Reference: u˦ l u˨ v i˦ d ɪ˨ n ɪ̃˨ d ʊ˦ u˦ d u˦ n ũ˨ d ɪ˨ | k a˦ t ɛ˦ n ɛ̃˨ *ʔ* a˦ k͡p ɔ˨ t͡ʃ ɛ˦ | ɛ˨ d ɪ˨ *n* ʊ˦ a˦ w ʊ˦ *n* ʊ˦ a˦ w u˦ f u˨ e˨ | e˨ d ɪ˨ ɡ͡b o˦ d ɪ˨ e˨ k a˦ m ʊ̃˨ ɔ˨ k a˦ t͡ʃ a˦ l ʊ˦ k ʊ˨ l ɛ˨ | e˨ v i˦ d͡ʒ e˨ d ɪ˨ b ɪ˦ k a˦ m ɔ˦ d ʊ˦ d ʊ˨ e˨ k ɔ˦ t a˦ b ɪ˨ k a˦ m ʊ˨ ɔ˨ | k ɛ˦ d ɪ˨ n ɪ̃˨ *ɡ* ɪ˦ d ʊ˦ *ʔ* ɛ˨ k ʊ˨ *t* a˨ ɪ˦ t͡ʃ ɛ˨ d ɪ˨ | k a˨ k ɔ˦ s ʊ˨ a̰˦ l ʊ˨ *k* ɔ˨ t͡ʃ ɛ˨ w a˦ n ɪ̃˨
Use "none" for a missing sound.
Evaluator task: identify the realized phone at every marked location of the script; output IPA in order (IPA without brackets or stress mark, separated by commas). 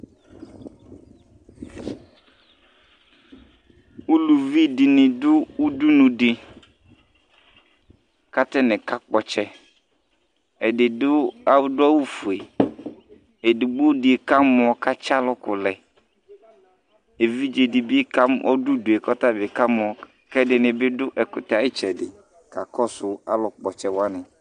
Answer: k, d, d, b, ʔ, t, k͡p